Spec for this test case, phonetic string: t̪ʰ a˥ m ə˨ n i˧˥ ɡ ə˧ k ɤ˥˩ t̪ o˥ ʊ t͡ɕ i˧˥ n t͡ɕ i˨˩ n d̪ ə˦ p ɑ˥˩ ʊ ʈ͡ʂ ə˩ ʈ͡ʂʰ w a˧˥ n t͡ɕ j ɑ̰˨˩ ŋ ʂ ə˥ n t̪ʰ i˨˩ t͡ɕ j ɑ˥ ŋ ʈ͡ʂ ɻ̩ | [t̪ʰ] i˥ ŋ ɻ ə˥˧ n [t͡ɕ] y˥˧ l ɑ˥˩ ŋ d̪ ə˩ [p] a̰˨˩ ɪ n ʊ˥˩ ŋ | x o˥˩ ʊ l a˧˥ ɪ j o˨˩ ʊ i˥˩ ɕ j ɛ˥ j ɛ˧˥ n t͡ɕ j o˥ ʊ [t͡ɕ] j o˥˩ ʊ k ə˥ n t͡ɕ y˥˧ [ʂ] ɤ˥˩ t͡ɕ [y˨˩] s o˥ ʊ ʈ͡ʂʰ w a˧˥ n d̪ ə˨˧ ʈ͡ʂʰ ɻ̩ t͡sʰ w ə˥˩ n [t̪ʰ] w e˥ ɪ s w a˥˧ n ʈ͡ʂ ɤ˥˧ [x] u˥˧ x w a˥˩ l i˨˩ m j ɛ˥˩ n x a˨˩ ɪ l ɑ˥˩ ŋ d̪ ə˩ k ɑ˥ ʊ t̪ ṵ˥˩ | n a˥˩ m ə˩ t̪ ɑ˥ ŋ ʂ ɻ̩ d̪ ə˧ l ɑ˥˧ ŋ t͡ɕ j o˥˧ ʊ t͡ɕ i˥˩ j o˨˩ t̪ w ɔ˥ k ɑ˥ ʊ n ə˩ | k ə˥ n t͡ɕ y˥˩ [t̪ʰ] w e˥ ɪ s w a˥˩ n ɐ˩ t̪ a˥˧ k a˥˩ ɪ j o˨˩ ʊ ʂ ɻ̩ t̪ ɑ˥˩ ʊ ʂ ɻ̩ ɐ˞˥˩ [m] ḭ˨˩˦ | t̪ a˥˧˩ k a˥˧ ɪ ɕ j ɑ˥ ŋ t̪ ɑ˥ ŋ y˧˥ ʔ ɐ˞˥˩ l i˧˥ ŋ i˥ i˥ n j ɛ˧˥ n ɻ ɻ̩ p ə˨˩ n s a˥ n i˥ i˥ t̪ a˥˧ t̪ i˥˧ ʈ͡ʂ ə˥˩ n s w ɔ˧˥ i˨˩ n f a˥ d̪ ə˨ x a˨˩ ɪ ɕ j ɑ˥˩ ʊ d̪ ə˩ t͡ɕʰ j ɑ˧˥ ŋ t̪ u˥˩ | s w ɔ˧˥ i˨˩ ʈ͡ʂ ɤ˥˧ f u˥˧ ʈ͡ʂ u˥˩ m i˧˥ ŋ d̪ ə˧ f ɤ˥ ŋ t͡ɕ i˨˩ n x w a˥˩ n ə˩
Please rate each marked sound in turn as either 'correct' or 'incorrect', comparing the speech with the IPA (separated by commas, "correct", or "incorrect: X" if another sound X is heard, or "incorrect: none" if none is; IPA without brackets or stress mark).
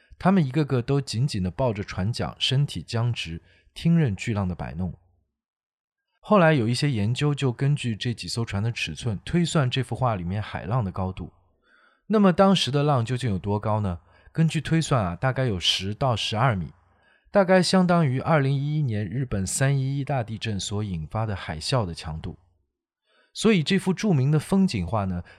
correct, correct, correct, correct, incorrect: ʈ͡ʂ, incorrect: i˨˩, correct, incorrect: f, correct, correct